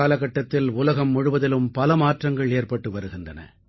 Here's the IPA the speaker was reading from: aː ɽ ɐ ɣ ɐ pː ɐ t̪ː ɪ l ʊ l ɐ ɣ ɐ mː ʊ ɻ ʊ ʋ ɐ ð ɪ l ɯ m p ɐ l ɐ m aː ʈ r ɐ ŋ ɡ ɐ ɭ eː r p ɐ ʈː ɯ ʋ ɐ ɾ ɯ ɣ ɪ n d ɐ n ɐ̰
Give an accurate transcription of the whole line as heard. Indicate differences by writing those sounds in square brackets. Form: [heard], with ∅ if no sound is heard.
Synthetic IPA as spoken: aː [l] ɐ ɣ ɐ [ʈː] ɐ t̪ː ɪ l ʊ l ɐ ɣ ɐ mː ʊ ɻ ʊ ʋ ɐ ð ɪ l ɯ m p ɐ l ɐ m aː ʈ r ɐ ŋ ɡ ɐ ɭ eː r p ɐ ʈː ɯ ʋ ɐ ɾ ɯ ɣ ɪ n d ɐ n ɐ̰